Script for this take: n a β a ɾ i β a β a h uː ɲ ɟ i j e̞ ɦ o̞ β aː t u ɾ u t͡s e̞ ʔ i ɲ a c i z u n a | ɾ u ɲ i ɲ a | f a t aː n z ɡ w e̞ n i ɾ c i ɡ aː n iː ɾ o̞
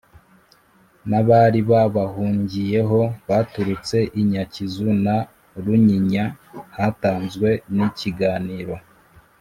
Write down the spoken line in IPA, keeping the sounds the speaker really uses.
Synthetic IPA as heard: n a β a ɾ i β a β a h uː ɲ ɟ i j e̞ ɦ o̞ β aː t u ɾ u t͡s e̞ ʔ i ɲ a c i z u n a | ɾ u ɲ i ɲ a | h a t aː n z ɡ w e̞ n i c i ɡ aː n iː ɾ o̞